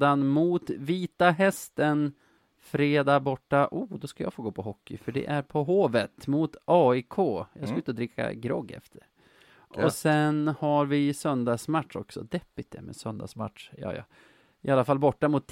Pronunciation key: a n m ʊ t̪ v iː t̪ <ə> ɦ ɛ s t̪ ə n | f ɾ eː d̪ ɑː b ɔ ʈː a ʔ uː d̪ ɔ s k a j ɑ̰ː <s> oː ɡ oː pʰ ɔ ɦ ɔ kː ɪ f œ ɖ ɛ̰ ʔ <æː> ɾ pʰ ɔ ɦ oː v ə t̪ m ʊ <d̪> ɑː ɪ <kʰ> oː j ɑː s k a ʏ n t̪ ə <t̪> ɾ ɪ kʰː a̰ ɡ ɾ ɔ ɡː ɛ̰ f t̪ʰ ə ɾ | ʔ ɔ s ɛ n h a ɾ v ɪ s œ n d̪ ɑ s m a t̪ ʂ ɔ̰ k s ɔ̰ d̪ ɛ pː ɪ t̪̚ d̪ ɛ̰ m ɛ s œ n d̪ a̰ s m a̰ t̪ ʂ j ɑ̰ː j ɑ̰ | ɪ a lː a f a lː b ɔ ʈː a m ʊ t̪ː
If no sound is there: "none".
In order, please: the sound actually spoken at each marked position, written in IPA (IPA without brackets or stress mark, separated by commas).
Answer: a, f, æ, t̪, kʰ, d̪